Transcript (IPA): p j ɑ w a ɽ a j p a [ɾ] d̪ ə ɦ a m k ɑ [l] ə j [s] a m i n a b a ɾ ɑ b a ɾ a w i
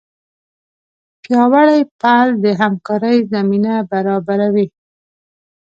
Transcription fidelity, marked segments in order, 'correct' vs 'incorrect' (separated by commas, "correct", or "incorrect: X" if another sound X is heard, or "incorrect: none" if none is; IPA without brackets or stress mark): incorrect: l, incorrect: ɾ, incorrect: z